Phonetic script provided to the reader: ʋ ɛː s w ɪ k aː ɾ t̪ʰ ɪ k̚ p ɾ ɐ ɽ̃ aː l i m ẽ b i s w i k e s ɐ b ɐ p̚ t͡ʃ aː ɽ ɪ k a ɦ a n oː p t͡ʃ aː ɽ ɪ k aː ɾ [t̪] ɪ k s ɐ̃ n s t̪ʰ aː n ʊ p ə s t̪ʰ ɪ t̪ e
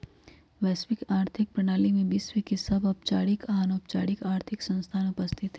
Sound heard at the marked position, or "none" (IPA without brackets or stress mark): t̪ʰ